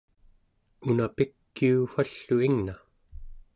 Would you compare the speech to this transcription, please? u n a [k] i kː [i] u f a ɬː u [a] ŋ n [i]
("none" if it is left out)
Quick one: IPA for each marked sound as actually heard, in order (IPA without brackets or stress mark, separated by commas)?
p, i, i, a